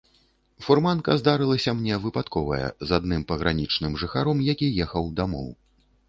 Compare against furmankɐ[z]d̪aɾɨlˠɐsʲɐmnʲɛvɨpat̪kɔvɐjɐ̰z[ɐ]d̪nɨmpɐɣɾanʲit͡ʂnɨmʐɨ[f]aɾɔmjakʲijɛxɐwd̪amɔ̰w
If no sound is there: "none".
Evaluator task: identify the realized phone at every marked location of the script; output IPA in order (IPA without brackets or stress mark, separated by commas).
z, a, x